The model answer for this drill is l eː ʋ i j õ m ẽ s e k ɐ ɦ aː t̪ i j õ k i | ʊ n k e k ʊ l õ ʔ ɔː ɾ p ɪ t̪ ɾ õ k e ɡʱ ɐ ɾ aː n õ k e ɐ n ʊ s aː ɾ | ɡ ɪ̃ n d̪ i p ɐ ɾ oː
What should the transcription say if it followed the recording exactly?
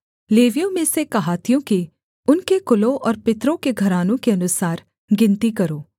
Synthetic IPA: l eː ʋ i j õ m ẽ s e k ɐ ɦ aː t̪ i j õ k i | ʊ n k e k ʊ l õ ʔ ɔː ɾ p ɪ t̪ ɾ õ k e ɡʱ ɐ ɾ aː n õ k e ɐ n ʊ s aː ɾ | ɡ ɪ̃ n t̪ i k ɐ ɾ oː